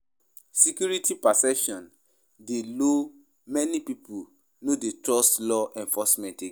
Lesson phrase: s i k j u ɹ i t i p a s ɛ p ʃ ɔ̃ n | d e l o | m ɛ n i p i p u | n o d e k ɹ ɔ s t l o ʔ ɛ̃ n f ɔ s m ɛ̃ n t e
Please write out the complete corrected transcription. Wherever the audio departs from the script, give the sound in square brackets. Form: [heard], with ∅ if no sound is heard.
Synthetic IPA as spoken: s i k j u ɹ i t i p a s ɛ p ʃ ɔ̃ n | d e l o | m ɛ n i p i p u | n o d e [t] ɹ ɔ s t l [ɔ] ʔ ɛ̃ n f ɔ s m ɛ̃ n t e